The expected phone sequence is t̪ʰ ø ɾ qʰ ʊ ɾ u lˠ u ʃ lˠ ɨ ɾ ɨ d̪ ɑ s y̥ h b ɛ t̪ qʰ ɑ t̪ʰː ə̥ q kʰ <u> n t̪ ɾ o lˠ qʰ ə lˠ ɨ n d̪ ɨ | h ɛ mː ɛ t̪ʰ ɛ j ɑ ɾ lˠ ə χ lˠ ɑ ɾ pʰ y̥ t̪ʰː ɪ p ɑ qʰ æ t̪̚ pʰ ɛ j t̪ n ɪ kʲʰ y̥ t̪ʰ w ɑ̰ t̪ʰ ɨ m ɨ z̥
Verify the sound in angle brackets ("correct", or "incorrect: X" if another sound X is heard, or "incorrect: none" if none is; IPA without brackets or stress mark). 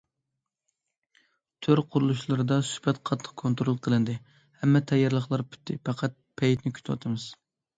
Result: incorrect: o